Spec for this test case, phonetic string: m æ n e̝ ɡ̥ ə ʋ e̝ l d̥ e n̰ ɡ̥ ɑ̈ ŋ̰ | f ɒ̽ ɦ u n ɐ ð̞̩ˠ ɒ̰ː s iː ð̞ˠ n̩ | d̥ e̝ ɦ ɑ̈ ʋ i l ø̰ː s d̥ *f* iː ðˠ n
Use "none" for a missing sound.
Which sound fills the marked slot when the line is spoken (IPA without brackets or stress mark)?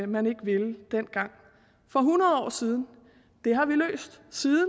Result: s